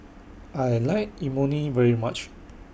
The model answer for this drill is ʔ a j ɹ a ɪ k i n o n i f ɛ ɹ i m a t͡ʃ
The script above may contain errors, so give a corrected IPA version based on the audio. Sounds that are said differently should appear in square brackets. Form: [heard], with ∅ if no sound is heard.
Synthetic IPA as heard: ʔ a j [l] a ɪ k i [m] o n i [v] ɛ ɹ i m a t͡ʃ